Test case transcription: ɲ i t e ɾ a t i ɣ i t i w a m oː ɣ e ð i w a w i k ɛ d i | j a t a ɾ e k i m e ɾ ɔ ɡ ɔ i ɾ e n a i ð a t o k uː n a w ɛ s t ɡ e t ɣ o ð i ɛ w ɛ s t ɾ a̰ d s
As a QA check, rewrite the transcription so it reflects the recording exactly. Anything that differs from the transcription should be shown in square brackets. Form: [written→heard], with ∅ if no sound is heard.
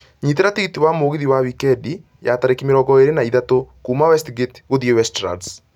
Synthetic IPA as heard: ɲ i t e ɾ a t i ɣ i t i w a m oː ɣ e ð i w a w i k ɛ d i | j a t a ɾ e k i m e ɾ ɔ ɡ ɔ [i→e] ɾ e n a i ð a t o k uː [n→m] a w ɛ s t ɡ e t ɣ o ð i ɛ w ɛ s t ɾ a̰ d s